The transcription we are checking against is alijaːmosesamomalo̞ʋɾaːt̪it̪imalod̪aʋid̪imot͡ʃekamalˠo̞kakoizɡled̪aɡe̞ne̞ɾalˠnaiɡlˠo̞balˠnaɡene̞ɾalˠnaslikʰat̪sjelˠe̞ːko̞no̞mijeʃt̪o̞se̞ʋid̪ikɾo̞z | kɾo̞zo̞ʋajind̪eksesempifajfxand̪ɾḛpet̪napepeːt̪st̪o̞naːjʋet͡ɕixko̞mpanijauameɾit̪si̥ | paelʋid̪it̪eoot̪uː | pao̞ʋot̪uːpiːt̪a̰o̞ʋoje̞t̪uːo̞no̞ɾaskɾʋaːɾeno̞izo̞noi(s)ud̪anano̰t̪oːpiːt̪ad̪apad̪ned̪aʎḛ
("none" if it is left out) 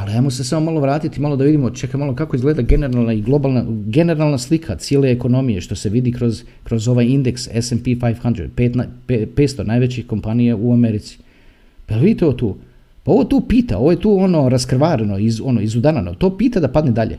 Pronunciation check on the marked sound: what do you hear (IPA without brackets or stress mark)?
z